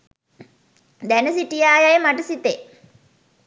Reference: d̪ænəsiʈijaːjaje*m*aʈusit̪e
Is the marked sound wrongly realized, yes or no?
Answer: no